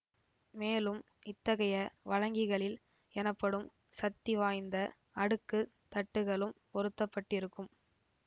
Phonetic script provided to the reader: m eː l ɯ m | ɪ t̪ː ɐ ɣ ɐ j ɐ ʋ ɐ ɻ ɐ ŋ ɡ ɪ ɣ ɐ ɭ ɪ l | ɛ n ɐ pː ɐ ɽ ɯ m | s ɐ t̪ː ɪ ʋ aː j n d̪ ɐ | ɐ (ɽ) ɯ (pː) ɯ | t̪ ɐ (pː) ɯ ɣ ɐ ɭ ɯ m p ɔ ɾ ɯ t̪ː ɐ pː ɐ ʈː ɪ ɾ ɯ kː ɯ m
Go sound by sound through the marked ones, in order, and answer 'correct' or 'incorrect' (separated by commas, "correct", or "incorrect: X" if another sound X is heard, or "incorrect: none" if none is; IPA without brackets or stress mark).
correct, incorrect: kː, incorrect: ʈː